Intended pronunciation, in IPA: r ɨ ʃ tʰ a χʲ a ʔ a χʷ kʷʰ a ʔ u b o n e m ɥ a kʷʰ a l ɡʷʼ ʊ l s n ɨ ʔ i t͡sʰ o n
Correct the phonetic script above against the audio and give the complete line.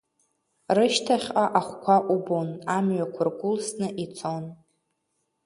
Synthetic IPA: r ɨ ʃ tʰ a χʲ a ʔ a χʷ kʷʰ a ʔ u b o n a m ɥ a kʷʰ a r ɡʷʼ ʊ l s n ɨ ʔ i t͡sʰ o n